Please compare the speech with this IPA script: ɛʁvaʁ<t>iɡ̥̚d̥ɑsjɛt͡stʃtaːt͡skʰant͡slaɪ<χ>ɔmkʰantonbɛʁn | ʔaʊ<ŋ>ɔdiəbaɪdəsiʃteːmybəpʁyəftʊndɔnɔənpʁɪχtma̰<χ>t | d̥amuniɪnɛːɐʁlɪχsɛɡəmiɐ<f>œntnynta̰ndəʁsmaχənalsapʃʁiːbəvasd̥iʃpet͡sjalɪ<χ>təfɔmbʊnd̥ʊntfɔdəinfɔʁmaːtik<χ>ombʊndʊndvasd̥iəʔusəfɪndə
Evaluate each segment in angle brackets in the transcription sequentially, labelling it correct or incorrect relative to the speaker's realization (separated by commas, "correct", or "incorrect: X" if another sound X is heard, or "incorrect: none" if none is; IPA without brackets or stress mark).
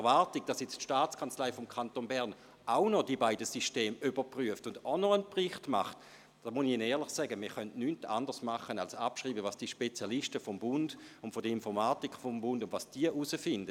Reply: correct, incorrect: f, incorrect: n, correct, incorrect: χ, incorrect: ʃ, incorrect: f